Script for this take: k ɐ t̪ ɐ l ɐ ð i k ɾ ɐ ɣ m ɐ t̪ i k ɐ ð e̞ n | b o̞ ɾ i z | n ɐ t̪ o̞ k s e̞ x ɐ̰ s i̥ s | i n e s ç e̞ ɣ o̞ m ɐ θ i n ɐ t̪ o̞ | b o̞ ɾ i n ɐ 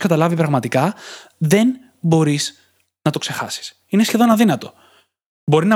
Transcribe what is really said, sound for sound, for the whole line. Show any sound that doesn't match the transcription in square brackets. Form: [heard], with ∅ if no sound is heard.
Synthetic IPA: k ɐ t̪ ɐ l ɐ [v] i [p] ɾ ɐ ɣ m ɐ t̪ i k ɐ ð e̞ n | b o̞ ɾ i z | n ɐ t̪ o̞ k s e̞ x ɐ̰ s i̥ s | i n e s ç e̞ [ð] o̞ [n] ɐ [ð] i n ɐ t̪ o̞ | b o̞ ɾ i n ɐ